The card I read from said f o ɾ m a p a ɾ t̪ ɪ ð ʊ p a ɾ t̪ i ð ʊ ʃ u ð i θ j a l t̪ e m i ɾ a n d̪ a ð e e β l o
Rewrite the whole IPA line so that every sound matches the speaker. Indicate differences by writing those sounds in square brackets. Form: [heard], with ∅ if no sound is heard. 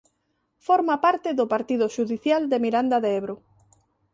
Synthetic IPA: f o ɾ m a p a ɾ t̪ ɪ ð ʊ p a ɾ t̪ i ð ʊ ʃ u ð i θ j a l [d̪] e m i ɾ a n d̪ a ð e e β [ɾ] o